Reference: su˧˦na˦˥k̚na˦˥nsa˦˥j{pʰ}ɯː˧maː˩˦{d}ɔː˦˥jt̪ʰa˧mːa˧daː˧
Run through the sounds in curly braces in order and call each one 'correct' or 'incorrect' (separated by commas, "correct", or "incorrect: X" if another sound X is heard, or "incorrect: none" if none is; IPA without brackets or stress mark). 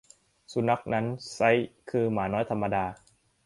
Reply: incorrect: kʰ, incorrect: n